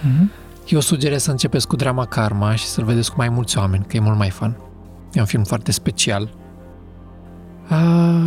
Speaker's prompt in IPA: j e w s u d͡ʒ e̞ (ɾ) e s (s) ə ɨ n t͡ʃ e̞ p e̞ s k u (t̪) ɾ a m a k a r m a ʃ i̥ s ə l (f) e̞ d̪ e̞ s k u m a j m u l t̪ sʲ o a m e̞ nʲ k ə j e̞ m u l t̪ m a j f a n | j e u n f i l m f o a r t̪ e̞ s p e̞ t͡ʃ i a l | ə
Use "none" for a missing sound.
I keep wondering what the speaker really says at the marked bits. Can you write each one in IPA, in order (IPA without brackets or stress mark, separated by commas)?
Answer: ɾ, s, d̪, v